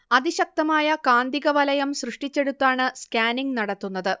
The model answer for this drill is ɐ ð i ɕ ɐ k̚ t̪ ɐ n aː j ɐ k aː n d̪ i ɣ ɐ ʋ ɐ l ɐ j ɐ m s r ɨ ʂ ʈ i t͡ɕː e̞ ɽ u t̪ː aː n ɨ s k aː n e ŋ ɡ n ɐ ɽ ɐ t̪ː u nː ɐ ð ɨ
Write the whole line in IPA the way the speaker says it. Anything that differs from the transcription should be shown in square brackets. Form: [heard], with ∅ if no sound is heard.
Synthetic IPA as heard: ɐ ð i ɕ ɐ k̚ t̪ ɐ [m] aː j ɐ k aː n d̪ i ɣ ɐ ʋ ɐ l ɐ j ɐ m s r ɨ ʂ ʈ i t͡ɕː e̞ ɽ u t̪ː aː [ɳ] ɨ s k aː n [i] ŋ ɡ n ɐ ɽ ɐ t̪ː u nː ɐ ð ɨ

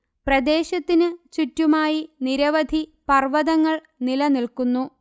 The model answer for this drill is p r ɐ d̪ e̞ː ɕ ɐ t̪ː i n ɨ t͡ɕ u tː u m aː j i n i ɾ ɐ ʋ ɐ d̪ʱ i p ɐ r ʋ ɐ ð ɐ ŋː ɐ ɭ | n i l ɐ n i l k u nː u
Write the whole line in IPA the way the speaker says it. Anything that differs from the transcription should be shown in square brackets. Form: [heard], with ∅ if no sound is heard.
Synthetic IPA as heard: p r ɐ d̪ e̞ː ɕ ɐ t̪ː i n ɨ t͡ɕ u tː u m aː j i n i ɾ ɐ ʋ ɐ d̪ʱ i p ɐ r ʋ ɐ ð ɐ ŋː ɐ ɭ | n i l ɐ n i l k u nː u

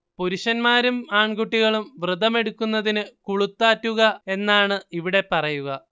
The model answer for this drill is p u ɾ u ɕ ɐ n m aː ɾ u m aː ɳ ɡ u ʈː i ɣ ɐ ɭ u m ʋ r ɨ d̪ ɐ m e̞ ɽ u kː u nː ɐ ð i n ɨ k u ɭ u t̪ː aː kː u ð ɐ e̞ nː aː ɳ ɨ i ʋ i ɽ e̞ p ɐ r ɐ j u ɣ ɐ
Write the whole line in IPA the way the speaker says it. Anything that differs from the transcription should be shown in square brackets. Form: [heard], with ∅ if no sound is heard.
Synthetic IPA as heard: p u ɾ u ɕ ɐ n m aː ɾ u m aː ɳ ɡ u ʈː i ɣ ɐ ɭ u m ʋ r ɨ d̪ ɐ m e̞ ɽ u kː u nː ɐ ð i n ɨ k u ɭ u t̪ː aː [tː] u [ɣ] ɐ e̞ nː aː ɳ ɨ i ʋ i ɽ e̞ p ɐ r ɐ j u ɣ ɐ

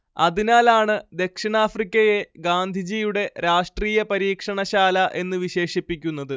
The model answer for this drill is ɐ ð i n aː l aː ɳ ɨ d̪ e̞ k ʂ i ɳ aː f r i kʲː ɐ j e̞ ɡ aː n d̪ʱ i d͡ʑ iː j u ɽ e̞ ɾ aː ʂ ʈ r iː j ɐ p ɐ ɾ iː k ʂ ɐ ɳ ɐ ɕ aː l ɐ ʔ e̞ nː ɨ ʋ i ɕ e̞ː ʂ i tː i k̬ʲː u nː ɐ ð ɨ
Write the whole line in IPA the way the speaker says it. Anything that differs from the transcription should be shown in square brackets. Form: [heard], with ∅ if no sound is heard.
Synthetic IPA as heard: ɐ ð i n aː l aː ɳ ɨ d̪ e̞ k ʂ i ɳ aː f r i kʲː ɐ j e̞ ɡ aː n d̪ʱ i d͡ʑ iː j u ɽ e̞ ɾ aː ʂ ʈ r iː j ɐ p ɐ ɾ iː k ʂ ɐ ɳ ɐ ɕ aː l ɐ ʔ e̞ nː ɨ ʋ i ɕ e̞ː ʂ i [pː] i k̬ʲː u nː ɐ ð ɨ

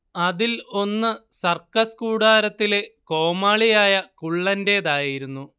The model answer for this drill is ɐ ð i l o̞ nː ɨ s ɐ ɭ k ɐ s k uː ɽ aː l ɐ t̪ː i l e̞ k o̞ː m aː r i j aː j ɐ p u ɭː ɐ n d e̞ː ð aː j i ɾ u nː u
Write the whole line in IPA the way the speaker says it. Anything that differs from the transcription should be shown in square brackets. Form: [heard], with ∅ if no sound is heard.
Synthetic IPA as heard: ɐ ð i l o̞ nː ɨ s ɐ [r] k ɐ s k uː ɽ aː [ɾ] ɐ t̪ː i l e̞ k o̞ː m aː [ɭ] i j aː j ɐ [k] u ɭː ɐ n d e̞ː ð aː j i ɾ u nː u

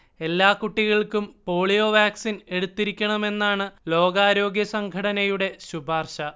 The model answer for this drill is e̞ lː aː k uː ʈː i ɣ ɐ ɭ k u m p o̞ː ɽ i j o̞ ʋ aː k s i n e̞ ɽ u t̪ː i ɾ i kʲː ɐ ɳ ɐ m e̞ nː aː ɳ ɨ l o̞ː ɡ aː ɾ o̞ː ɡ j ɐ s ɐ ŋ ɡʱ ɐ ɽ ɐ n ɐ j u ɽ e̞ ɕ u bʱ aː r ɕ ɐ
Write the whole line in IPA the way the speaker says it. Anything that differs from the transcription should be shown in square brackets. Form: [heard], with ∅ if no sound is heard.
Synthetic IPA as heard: e̞ lː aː k [u] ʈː i ɣ ɐ ɭ k u m p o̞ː [ɭ] i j o̞ ʋ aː k s i n e̞ ɽ u t̪ː i ɾ i kʲː ɐ ɳ ɐ m e̞ nː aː ɳ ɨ l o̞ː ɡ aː ɾ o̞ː ɡ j ɐ s ɐ ŋ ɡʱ ɐ ɽ ɐ n ɐ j u ɽ e̞ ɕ u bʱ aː r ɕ ɐ

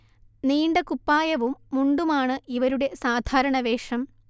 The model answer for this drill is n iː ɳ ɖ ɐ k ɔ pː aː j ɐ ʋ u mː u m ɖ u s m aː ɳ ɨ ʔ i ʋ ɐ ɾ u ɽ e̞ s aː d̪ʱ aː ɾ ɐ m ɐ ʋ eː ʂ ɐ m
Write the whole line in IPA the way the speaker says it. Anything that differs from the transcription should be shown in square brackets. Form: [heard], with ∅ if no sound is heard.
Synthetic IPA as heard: n iː ɳ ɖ ɐ k [u] pː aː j ɐ ʋ u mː u [ɳ] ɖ u [∅] m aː ɳ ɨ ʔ i ʋ ɐ ɾ u ɽ e̞ s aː d̪ʱ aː ɾ ɐ [ɳ] ɐ ʋ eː ʂ ɐ m

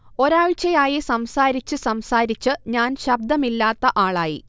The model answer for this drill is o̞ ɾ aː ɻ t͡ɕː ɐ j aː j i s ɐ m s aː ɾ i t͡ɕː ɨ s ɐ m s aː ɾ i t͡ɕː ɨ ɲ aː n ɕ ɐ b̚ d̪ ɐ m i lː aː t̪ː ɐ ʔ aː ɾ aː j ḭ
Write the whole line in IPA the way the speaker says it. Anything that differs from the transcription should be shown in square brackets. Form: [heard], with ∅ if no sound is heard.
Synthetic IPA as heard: o̞ ɾ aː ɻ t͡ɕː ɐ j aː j i s ɐ m s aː ɾ i t͡ɕː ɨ s ɐ m s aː ɾ i t͡ɕː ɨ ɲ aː n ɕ ɐ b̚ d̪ ɐ m i lː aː t̪ː ɐ ʔ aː [ɭ] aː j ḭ

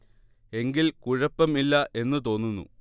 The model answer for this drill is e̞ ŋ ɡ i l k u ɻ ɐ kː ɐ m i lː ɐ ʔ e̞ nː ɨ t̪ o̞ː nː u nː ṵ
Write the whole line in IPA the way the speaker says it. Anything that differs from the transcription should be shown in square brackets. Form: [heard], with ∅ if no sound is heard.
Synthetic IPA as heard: e̞ ŋ ɡ i l k u ɻ ɐ [pː] ɐ m i lː ɐ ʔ e̞ nː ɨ t̪ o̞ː nː u nː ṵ

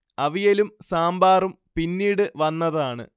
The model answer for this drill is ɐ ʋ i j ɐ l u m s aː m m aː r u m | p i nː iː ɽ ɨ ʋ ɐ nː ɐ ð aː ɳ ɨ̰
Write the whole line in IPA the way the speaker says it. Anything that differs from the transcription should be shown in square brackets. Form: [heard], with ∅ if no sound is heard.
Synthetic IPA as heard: ɐ ʋ i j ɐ l u m s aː m [b] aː r u m | p i nː iː ɽ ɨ ʋ ɐ nː ɐ ð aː ɳ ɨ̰

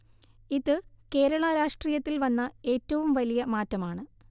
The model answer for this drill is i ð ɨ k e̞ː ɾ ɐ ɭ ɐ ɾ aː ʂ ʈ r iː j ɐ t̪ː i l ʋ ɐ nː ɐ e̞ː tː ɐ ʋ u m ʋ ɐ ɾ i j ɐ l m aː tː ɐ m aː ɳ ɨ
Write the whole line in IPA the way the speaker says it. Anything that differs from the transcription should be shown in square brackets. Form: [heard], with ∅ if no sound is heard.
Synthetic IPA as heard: i ð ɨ k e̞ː ɾ ɐ ɭ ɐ ɾ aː ʂ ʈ r iː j ɐ t̪ː i l ʋ ɐ nː ɐ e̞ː tː ɐ ʋ u m ʋ ɐ [l] i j ɐ [∅] m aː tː ɐ m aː ɳ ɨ

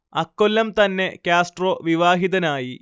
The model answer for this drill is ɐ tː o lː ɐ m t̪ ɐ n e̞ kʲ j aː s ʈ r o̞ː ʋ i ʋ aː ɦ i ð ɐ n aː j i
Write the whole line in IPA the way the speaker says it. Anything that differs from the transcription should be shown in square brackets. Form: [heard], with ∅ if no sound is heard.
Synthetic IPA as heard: ɐ [kː] o lː ɐ m t̪ ɐ [nː] e̞ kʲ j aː s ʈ r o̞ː ʋ i ʋ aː ɦ i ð ɐ n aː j i

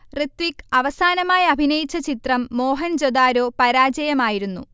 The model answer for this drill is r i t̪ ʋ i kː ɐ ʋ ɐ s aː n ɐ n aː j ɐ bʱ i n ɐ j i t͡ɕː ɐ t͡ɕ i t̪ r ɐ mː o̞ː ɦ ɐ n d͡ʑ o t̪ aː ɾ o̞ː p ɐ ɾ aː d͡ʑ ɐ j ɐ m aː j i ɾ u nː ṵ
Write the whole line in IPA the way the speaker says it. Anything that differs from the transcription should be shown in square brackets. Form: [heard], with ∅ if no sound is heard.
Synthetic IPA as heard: r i t̪ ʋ i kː ɐ ʋ ɐ s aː n ɐ [m] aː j ɐ bʱ i n ɐ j i t͡ɕː ɐ t͡ɕ i t̪ r ɐ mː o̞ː ɦ ɐ n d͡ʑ o [d̪] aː ɾ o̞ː p ɐ ɾ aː d͡ʑ ɐ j ɐ m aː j i ɾ u nː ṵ

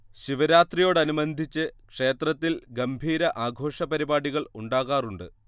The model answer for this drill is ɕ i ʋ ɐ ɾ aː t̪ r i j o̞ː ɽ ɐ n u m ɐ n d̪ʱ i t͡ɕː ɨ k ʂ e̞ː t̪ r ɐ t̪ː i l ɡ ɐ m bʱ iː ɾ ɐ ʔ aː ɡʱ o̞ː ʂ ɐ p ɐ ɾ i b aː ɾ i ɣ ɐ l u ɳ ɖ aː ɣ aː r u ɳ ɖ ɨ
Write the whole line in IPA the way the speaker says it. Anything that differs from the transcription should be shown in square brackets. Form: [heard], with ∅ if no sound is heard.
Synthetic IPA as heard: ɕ i ʋ ɐ ɾ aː t̪ r i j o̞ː ɽ ɐ n u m ɐ n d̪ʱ i t͡ɕː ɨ k ʂ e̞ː t̪ r ɐ t̪ː i l ɡ ɐ m bʱ iː ɾ ɐ ʔ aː ɡʱ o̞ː ʂ ɐ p ɐ ɾ i b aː [ɽ] i ɣ ɐ [ɭ] u ɳ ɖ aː ɣ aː r u ɳ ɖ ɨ

